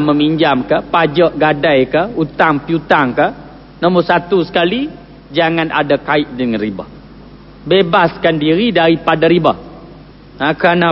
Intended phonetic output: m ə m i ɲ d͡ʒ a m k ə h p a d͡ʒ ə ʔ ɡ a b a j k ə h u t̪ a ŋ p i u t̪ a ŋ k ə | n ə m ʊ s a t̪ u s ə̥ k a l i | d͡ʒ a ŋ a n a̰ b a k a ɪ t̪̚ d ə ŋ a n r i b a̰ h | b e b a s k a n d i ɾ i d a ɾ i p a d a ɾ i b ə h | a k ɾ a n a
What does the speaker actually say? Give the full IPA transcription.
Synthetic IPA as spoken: m ə m i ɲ d͡ʒ a m k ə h p a d͡ʒ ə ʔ ɡ a d a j k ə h u t̪ a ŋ p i u t̪ a ŋ k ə | n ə m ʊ s a t̪ u s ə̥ k a l i | d͡ʒ a ŋ a n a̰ d a k a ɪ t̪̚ d ə ŋ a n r i b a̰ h | b e b a s k a n d i ɾ i d a ɾ i p a d a ɾ i b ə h | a k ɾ a n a